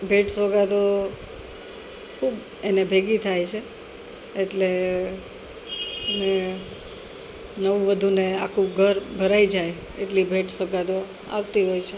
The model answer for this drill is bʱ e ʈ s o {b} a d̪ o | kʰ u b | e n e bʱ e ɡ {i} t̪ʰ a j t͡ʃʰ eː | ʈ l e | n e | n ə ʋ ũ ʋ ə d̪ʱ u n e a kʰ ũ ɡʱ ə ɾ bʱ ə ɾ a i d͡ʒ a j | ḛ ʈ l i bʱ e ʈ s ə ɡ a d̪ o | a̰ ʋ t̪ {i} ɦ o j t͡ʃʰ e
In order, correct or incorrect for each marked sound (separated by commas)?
incorrect, correct, correct